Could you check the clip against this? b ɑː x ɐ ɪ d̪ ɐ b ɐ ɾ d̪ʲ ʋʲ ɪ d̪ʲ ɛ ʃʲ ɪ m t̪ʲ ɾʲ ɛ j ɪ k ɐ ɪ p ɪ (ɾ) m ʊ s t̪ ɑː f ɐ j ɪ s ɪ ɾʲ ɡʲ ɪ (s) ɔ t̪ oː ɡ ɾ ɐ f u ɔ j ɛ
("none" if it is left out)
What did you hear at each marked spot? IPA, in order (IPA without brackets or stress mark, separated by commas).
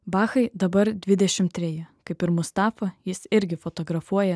ɾ, f